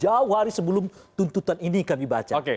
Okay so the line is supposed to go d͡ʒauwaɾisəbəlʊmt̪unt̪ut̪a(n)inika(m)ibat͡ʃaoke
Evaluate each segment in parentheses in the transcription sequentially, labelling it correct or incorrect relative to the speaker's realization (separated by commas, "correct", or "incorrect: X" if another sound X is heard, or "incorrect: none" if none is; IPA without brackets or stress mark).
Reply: correct, correct